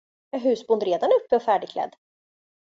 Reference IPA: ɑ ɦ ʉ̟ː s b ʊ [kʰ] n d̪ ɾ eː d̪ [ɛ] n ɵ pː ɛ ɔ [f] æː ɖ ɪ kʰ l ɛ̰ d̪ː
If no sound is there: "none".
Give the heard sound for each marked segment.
none, a, f

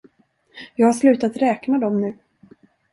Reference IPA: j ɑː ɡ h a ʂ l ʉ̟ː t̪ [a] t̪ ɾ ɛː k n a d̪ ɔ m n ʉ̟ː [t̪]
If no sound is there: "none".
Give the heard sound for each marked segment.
a, none

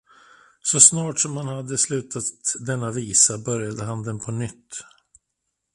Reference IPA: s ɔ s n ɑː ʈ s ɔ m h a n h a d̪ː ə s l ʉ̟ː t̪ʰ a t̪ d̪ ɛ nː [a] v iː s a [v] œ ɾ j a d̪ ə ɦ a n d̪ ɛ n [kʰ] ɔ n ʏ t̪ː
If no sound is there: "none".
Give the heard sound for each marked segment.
a, b, pʰ

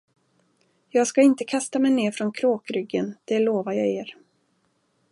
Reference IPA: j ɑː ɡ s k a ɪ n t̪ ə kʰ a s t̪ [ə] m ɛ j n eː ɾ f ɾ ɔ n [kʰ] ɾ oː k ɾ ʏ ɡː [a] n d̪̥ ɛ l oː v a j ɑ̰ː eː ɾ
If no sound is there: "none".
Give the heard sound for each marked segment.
a, kʰ, ə

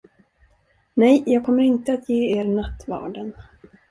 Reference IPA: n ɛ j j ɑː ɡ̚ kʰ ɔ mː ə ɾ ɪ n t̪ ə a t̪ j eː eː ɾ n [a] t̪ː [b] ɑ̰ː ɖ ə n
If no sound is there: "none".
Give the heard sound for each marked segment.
a, v

